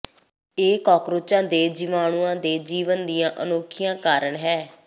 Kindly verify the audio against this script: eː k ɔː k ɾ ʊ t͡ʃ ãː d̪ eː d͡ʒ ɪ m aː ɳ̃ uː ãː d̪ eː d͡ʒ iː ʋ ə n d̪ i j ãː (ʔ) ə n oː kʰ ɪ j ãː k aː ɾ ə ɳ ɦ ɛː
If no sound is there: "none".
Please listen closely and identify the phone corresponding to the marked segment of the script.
ʔ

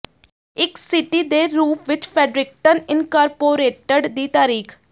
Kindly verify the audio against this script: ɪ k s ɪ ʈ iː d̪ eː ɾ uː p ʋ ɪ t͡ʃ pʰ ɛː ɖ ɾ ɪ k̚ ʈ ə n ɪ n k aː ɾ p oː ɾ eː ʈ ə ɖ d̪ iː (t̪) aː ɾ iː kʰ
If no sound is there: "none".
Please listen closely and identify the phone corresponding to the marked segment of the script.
t̪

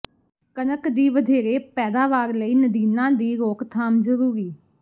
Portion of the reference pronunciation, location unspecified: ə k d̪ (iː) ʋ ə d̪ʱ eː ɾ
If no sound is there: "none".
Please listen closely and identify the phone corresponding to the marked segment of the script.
iː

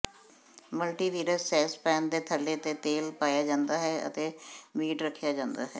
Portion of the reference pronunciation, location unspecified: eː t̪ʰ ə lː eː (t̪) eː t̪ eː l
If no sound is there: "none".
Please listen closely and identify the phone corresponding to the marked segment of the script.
t̪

